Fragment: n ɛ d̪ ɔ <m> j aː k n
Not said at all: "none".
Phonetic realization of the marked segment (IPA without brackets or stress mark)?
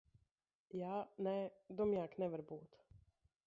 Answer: m